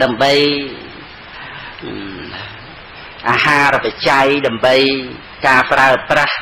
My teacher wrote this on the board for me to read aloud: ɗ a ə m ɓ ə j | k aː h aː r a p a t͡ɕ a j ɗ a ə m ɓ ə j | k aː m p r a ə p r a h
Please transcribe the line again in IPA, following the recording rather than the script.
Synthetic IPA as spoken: ɗ a ə m ɓ ə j | ʔ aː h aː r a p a t͡ɕ a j ɗ a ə m ɓ ə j | k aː p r a ə p r a h